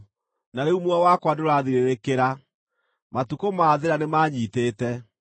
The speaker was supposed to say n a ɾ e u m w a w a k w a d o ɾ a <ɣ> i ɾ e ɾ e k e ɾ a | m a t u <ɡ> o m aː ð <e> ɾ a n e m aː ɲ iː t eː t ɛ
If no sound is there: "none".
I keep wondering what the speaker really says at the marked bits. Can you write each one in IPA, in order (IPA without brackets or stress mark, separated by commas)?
ð, k, e